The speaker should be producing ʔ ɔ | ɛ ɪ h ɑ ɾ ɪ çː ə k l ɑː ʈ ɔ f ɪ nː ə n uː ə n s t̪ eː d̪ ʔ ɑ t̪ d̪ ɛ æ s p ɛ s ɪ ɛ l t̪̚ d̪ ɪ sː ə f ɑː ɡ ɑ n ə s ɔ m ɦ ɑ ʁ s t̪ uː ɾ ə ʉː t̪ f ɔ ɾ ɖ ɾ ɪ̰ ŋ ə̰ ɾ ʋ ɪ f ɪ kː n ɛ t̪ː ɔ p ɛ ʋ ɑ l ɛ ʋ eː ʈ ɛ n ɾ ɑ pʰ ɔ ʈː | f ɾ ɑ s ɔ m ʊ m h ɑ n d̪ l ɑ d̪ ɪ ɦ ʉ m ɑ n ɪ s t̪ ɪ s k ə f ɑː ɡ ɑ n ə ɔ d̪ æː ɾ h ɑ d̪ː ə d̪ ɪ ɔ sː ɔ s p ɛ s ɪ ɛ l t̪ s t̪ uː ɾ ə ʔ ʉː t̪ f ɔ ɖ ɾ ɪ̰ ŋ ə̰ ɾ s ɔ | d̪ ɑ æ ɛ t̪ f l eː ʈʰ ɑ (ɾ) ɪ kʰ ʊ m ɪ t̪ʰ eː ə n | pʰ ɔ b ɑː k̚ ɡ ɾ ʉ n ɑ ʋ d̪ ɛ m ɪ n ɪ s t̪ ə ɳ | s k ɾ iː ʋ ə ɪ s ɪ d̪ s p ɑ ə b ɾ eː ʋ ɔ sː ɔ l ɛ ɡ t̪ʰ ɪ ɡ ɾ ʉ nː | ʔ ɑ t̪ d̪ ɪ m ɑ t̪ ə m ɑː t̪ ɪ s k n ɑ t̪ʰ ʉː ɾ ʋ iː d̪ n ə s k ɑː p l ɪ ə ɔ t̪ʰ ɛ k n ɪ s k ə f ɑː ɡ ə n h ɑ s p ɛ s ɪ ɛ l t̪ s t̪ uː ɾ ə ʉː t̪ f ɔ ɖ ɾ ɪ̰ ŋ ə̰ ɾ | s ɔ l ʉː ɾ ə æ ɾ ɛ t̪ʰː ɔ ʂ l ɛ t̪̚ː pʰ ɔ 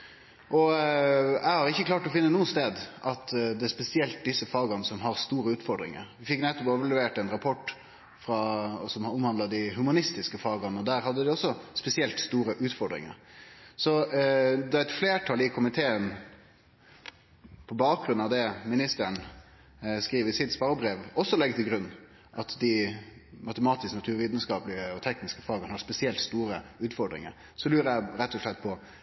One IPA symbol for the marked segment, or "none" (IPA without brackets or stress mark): l